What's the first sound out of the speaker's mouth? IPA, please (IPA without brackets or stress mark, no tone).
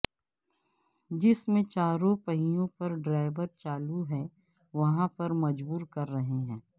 d͡ʒ